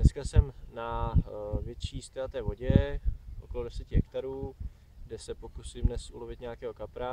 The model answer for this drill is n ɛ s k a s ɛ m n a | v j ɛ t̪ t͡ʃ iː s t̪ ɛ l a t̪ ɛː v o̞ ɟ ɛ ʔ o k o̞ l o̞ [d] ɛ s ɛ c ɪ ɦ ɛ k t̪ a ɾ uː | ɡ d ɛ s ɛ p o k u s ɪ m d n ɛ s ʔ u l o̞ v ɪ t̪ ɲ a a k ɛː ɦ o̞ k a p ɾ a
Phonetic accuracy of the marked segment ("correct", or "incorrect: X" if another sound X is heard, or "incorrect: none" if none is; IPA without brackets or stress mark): correct